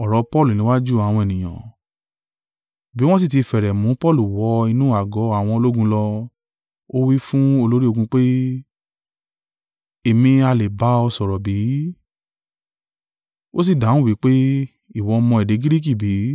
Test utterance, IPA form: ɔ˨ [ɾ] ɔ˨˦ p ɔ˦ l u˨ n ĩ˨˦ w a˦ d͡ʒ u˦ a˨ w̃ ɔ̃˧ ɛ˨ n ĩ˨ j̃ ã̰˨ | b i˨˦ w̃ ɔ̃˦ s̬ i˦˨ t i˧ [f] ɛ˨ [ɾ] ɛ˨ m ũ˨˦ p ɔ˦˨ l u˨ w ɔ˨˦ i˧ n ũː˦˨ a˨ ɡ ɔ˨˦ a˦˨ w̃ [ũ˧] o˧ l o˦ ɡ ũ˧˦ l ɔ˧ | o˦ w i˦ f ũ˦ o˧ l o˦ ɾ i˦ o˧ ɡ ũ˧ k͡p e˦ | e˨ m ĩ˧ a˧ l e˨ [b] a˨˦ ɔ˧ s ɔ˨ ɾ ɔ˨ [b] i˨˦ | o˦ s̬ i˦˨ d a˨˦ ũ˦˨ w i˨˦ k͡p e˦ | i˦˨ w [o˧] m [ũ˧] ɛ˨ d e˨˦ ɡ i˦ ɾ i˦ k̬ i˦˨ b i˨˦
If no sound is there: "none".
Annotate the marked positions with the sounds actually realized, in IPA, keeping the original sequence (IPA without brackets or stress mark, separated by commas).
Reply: ɾ, f, ɾ, ɔ̃˧, b, b, ɔ˧, ɔ̃˧